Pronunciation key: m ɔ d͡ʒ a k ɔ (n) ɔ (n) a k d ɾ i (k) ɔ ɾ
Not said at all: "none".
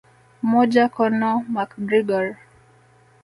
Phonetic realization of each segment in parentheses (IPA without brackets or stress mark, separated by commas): n, m, ɡ